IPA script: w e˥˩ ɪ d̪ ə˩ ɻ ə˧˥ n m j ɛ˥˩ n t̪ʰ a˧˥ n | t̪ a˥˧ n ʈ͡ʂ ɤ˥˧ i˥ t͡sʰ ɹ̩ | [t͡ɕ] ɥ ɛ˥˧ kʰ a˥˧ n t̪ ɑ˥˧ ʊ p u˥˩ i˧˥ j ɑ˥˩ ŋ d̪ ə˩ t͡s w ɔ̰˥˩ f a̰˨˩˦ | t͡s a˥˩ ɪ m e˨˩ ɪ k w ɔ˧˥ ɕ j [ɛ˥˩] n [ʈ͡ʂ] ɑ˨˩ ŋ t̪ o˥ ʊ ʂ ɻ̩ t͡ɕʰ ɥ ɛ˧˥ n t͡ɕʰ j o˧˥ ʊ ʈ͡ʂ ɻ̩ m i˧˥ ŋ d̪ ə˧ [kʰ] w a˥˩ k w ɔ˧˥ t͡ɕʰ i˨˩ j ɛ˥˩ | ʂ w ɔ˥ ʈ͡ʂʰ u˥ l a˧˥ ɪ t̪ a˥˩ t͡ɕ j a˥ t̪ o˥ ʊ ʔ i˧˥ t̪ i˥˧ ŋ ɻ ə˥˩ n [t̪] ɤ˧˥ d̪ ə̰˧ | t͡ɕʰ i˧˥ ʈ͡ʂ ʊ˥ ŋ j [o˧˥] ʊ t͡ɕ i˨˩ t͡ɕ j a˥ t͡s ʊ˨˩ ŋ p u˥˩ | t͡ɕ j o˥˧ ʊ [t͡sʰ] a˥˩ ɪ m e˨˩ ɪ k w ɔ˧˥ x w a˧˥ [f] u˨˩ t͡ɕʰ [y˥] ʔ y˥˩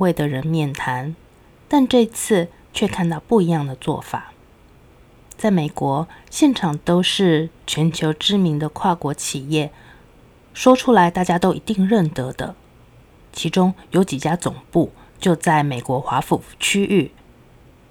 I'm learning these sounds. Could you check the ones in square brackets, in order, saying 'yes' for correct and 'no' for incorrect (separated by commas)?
no, yes, no, yes, yes, yes, no, yes, yes